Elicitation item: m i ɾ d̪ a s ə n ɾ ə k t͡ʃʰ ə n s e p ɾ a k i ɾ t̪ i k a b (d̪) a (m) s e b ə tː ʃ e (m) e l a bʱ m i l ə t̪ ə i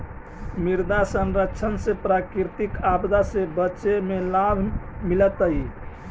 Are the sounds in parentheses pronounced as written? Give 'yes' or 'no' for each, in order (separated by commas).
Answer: yes, no, yes